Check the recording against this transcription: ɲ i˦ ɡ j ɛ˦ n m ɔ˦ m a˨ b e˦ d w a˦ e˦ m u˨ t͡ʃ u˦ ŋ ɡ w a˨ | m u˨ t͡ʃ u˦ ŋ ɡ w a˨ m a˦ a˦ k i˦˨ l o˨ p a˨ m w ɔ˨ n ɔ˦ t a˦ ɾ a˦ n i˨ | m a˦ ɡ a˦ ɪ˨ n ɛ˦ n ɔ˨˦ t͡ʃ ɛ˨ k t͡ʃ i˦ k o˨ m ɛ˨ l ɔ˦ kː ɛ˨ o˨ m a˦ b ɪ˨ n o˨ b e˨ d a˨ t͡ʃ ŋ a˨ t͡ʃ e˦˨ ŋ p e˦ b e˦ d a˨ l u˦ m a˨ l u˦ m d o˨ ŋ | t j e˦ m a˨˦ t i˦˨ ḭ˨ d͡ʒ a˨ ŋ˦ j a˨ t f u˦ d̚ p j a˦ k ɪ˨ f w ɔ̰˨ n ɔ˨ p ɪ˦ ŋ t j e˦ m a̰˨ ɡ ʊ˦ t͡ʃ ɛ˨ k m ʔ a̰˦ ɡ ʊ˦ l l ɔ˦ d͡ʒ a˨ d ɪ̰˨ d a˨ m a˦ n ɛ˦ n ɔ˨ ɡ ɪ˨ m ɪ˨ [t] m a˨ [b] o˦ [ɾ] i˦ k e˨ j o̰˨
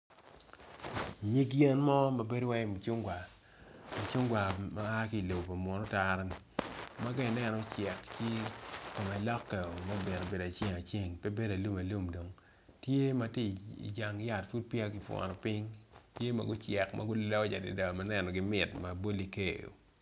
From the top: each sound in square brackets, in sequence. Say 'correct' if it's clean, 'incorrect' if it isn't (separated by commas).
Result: correct, correct, incorrect